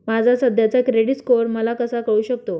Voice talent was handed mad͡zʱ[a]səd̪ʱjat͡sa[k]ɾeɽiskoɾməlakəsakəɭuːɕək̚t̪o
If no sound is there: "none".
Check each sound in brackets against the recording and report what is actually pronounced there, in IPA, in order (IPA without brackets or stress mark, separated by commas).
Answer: a, k